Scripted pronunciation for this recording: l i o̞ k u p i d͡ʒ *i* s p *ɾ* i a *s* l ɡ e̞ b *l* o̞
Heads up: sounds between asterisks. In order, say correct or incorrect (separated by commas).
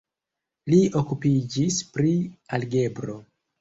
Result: correct, correct, incorrect, incorrect